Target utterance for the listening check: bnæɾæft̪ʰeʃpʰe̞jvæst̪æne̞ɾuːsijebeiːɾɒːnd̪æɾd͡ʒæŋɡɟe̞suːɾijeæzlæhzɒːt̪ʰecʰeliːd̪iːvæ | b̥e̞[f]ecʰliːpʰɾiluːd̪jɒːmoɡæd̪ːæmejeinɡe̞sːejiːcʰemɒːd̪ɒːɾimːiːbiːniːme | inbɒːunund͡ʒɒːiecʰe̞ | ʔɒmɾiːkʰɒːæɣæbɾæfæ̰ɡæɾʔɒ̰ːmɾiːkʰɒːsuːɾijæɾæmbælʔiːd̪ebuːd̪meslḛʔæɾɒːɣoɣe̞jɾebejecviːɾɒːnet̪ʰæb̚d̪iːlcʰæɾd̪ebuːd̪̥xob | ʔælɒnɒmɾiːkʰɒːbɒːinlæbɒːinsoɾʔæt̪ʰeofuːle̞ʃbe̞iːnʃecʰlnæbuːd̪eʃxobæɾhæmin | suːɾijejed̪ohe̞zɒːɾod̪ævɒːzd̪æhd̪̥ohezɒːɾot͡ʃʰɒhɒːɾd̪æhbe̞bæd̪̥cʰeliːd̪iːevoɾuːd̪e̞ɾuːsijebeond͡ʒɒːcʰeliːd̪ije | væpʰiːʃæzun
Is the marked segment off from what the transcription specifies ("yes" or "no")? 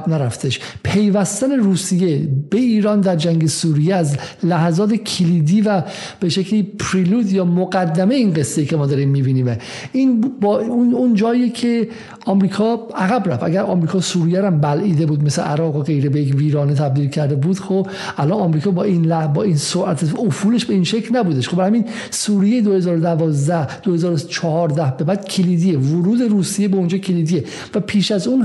yes